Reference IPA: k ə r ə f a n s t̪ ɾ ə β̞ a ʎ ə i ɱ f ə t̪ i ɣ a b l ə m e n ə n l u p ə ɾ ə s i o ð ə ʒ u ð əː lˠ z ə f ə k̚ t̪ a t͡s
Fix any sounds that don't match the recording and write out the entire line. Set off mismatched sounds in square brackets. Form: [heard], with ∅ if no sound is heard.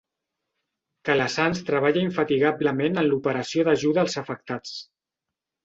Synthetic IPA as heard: k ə [l] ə [s] a n s t̪ ɾ ə β̞ a ʎ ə i ɱ f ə t̪ i ɣ a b l ə m e n ə n l u p ə ɾ ə s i o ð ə ʒ u ð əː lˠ z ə f ə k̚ t̪ a t͡s

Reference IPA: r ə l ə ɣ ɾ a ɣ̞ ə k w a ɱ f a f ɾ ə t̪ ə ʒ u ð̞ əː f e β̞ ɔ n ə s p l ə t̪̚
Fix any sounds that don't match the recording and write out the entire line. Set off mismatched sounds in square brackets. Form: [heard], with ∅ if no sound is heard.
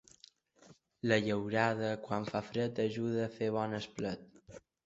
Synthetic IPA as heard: [l] ə [ʎ] ə [w] ɾ a [ð̞] ə k w a ɱ f a f ɾ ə t̪ ə ʒ u ð̞ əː f e β̞ ɔ n ə s p l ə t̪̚

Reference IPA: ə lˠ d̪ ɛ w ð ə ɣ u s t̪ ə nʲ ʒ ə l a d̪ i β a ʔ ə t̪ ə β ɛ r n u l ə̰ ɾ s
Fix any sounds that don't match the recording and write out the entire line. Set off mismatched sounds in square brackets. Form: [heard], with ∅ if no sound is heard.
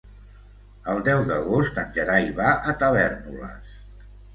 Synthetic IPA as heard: ə lˠ d̪ ɛ w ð ə ɣ [o] s t̪ ə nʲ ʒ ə [ɾ] a [∅] i β a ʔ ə t̪ ə β ɛ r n u l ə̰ [∅] s

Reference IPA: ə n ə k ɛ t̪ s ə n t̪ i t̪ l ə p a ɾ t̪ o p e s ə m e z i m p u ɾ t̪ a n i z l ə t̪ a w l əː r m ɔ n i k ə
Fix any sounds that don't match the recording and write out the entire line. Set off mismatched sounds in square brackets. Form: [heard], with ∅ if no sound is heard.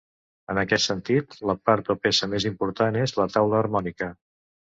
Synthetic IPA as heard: ə n ə k ɛ t̪ s ə n t̪ i t̪ l ə p a ɾ t̪ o p e s ə m e z i m p u ɾ t̪ a n [e] z l ə t̪ a w l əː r m ɔ n i k ə

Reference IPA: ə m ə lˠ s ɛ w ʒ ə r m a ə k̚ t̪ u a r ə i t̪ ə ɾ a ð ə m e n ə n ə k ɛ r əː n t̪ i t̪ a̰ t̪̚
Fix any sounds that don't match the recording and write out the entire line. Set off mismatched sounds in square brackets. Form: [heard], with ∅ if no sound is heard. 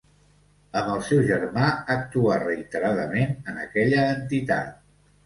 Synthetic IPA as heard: ə m ə lˠ s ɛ w ʒ ə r m a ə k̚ t̪ u a r ə i t̪ ə ɾ a ð ə m e n ə n ə k ɛ [ʎ] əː n t̪ i t̪ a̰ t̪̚

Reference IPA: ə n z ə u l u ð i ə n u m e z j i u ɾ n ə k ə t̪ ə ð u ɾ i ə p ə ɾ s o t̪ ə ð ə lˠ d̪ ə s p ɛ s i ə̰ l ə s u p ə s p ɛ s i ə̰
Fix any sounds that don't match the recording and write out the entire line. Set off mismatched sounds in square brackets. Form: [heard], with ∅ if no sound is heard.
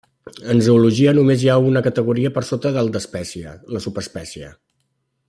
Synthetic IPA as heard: ə n z ə u l u [ʒ] i ə n u m e z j [a] u [∅] n ə k ə t̪ ə [ɣ] u ɾ i ə p ə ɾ s o t̪ ə ð ə lˠ d̪ ə s p ɛ s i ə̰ l ə s u p ə s p ɛ s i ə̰

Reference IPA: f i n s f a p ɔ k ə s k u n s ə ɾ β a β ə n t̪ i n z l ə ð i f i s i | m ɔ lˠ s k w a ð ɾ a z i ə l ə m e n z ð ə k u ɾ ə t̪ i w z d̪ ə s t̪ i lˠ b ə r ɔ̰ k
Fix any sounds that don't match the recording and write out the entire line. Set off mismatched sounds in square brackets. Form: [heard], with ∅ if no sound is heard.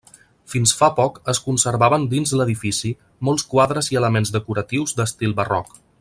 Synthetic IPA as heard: f i n s f a p ɔ k ə s k u n s ə ɾ β a β ə n [d̪] i n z l ə ð i f i s i | m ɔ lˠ s k w a ð ɾ [ə] z i ə l ə m e n z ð ə k u ɾ ə t̪ i w z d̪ ə s t̪ i lˠ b ə r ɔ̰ k

